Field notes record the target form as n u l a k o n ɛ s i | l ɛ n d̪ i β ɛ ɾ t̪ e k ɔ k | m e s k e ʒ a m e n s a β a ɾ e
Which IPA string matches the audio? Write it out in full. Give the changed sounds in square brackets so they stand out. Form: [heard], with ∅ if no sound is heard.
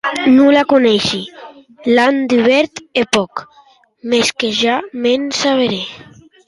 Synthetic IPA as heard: n u l a k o n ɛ [ʃ] i | l [a] n d̪ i β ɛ ɾ t̪ e [p] ɔ k | m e s k e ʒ a m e n s a β [e] ɾ e